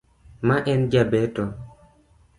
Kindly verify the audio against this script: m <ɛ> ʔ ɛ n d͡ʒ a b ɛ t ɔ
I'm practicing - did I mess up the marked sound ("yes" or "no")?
yes